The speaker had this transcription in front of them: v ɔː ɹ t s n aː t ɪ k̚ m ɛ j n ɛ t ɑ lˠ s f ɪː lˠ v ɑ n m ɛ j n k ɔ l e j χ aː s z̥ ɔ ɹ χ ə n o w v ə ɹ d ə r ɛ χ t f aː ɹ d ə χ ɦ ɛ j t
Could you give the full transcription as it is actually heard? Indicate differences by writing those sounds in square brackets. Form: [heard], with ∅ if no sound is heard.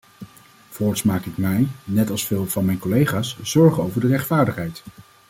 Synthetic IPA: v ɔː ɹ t s [m] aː [k] ɪ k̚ m ɛ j n ɛ t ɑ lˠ s f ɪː lˠ v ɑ n m ɛ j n k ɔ l e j χ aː s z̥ ɔ ɹ χ ə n o w v ə ɹ d ə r ɛ χ t f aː ɹ d ə χ ɦ ɛ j t